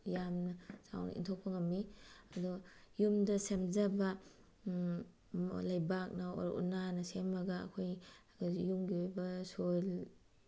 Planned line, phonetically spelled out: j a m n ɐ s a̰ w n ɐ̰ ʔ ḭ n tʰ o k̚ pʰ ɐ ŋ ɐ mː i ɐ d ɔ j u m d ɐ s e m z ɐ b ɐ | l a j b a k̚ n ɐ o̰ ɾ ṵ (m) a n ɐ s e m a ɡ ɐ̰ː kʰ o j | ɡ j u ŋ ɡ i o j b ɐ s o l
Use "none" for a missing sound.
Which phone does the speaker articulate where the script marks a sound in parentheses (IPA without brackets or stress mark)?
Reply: n